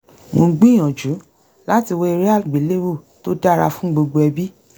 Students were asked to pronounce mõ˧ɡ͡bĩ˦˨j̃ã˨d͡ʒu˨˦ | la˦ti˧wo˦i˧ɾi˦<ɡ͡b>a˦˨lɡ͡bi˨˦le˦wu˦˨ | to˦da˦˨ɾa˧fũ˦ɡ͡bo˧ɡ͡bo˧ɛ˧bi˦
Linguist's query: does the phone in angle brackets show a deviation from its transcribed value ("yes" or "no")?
yes